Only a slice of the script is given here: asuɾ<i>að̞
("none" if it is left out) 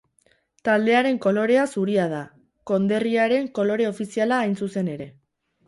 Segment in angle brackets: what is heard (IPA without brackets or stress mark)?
i